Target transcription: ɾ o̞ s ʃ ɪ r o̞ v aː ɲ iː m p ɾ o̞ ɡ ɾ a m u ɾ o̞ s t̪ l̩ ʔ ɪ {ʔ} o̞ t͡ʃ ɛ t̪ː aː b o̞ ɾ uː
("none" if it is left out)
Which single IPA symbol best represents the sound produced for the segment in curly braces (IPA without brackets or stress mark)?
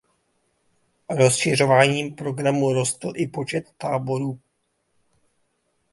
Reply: p